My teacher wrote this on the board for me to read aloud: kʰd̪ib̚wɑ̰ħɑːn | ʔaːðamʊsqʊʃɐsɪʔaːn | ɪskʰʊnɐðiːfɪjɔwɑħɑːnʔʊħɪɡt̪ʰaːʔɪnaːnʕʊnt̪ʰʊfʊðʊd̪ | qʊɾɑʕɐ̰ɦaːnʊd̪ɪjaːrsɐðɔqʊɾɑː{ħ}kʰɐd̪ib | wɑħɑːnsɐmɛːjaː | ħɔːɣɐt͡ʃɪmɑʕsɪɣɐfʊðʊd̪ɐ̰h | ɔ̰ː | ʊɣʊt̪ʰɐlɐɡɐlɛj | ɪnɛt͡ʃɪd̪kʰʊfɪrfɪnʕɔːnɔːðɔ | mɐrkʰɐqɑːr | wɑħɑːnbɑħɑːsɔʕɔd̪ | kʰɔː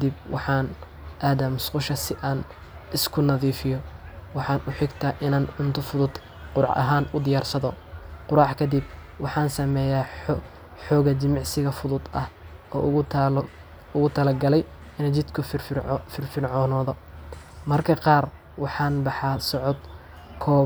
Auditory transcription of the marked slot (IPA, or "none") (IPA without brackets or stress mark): ħ